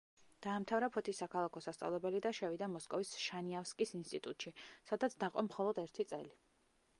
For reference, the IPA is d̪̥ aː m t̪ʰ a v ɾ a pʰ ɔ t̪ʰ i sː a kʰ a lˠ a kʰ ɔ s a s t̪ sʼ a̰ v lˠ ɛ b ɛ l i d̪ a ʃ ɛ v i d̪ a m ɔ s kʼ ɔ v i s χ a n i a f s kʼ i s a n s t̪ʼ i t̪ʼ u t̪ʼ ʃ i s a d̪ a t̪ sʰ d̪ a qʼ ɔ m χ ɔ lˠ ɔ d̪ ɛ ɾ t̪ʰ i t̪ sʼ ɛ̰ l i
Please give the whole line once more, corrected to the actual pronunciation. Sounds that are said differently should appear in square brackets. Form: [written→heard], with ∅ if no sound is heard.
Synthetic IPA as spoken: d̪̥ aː m t̪ʰ a v ɾ a pʰ ɔ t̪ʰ i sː a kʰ a lˠ a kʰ ɔ s a s t̪ sʼ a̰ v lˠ ɛ b ɛ l i d̪ a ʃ ɛ v i d̪ a m ɔ s kʼ ɔ v i s [χ→ʃ] a n i a f s kʼ i s [a→i] n s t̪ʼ i t̪ʼ u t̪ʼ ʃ i s a d̪ a t̪ sʰ d̪ a qʼ ɔ m χ ɔ lˠ ɔ d̪ ɛ ɾ t̪ʰ i t̪ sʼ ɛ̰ l i